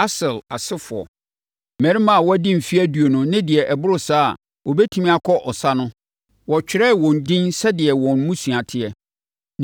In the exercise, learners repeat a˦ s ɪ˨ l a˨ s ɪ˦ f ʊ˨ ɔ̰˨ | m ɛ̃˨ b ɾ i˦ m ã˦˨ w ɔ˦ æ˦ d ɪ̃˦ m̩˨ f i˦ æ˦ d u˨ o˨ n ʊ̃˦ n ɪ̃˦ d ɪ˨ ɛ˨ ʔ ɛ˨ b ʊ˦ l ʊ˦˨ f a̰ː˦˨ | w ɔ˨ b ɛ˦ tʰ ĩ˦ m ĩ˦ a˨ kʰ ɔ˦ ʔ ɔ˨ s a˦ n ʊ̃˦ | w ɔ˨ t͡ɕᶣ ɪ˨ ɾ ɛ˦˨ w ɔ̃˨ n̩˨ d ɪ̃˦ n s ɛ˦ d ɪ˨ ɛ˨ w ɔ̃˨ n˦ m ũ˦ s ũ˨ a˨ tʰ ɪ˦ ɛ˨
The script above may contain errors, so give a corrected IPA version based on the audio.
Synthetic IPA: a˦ s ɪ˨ l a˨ s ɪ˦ f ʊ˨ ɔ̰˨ | m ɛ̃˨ ɾ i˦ m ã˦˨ w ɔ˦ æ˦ d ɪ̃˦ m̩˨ f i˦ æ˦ d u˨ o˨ n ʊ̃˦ n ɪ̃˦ d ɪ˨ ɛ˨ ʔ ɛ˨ b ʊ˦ ɾ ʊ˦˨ s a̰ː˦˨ | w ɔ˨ b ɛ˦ tʰ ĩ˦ m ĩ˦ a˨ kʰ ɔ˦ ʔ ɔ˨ s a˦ n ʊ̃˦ | w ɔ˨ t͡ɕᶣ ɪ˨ ɾ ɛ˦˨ w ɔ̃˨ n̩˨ d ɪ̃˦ n s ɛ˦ d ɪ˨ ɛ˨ w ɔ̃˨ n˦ m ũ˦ s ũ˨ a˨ tʰ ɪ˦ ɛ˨